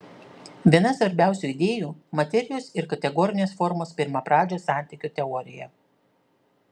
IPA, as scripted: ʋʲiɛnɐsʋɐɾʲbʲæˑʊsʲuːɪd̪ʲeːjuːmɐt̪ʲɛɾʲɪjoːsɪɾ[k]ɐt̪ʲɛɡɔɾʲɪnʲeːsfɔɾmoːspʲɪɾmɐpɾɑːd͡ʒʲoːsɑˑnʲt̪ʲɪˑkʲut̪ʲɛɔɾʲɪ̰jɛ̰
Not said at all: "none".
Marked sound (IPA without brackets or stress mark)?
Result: k